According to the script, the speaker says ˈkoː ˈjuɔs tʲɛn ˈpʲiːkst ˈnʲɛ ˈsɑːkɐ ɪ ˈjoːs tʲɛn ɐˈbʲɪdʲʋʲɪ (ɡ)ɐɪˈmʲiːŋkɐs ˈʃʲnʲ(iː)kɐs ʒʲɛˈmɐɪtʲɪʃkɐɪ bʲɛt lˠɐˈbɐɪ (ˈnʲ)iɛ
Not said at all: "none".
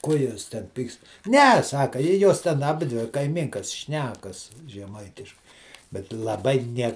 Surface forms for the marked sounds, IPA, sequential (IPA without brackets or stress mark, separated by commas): k, æː, nʲ